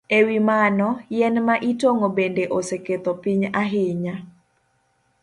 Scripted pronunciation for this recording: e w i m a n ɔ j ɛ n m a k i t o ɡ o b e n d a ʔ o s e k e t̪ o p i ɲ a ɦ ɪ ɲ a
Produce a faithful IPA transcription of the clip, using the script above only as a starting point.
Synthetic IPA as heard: e w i m a n ɔ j ɛ n m a ʔ i t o ŋ o b e n d e ʔ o s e k e t̪ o p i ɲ a ɦ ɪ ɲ a